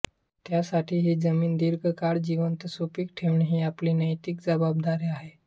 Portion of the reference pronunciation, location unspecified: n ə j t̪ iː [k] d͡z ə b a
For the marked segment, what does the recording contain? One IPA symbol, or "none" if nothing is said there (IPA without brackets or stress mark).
k